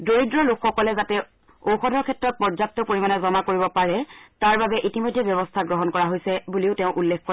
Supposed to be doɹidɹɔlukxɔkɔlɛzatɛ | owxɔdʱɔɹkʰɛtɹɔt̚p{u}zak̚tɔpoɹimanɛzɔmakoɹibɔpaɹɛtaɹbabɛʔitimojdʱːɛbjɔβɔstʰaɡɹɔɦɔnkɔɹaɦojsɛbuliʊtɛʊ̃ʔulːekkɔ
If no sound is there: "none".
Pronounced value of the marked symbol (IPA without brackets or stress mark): ɔ